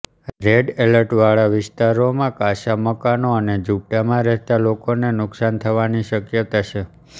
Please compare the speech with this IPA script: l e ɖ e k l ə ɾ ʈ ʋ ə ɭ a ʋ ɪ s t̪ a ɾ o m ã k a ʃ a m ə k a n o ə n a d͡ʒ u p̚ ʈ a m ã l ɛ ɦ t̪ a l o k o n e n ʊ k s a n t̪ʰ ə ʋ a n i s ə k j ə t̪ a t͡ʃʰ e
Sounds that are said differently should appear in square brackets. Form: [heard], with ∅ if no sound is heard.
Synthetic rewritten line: [ɾ] e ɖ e [∅] l ə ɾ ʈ ʋ [a] ɭ a ʋ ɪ s t̪ a ɾ o m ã k a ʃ a m ə k a n o ə n [e] d͡ʒ u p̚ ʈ a m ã [ɾ] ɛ ɦ t̪ a l o k o n e n ʊ k s a n t̪ʰ ə ʋ a n i [ʃ] ə k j ə t̪ a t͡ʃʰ e

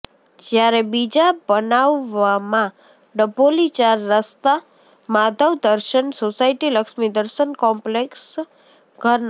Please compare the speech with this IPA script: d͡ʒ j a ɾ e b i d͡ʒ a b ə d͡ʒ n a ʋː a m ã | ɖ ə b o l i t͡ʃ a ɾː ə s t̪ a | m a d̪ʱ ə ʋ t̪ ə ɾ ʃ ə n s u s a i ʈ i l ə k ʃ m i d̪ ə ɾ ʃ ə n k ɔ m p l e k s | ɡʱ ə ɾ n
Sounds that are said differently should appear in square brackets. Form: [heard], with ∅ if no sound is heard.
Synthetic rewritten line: d͡ʒ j a ɾ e b i d͡ʒ a b ə [∅] n a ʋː a m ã | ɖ ə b o l i t͡ʃ a ɾː ə s t̪ a | m a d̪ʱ ə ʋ [d̪] ə ɾ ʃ ə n s [o] s a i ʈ i l ə k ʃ m i d̪ ə ɾ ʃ ə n k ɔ m p l e k s | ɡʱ ə ɾ n

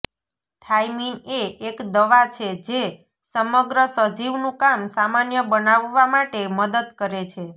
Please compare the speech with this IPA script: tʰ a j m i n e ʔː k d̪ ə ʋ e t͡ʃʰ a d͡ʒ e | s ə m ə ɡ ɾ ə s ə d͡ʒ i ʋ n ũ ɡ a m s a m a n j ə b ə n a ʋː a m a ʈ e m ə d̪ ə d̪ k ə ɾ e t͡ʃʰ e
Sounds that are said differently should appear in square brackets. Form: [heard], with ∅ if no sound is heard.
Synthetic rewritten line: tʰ a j m i n e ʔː k d̪ ə ʋ [a] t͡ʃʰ [e] d͡ʒ e | s ə m ə ɡ ɾ ə s ə d͡ʒ i ʋ n ũ [k] a m s a m a n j ə b ə n a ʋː a m a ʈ e m ə d̪ ə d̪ k ə ɾ e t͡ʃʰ e

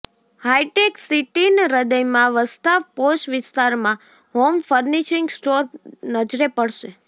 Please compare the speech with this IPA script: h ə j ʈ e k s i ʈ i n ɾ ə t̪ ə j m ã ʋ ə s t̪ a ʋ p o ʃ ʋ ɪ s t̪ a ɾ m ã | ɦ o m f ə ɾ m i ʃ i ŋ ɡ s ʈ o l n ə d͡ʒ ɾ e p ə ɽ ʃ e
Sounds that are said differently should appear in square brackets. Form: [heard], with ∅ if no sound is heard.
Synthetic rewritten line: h [a] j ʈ e k s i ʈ i n ɾ ə [d̪] ə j m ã ʋ ə s t̪ a ʋ p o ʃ ʋ ɪ s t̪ a ɾ m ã | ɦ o m f ə ɾ [n] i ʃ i ŋ ɡ s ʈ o [ɾ] n ə d͡ʒ ɾ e p ə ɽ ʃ e

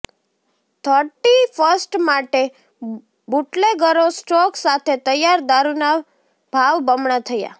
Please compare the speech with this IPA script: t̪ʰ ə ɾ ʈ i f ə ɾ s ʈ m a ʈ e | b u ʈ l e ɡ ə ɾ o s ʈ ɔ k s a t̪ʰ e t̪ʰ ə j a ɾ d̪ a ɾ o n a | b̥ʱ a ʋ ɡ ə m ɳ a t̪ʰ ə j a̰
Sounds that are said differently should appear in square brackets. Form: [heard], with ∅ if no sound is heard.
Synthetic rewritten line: t̪ʰ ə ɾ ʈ i f ə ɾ s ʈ m a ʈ e | b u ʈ l e ɡ ə ɾ o s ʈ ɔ k s a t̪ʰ e [t̪] ə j a ɾ d̪ a ɾ [u] n a | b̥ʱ a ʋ [b] ə m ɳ a t̪ʰ ə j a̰

